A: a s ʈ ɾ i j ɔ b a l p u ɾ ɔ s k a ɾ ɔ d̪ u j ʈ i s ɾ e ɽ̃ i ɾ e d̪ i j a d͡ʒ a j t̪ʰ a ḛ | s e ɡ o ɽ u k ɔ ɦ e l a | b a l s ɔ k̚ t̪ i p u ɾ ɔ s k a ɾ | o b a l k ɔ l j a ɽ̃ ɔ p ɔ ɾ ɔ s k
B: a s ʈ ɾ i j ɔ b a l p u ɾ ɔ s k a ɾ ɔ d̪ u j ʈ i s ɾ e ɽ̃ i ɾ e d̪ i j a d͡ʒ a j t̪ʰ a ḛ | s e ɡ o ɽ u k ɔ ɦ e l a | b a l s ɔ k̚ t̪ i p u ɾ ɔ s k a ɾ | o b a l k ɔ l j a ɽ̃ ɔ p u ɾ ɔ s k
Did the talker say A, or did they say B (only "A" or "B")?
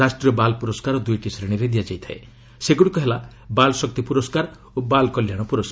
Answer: B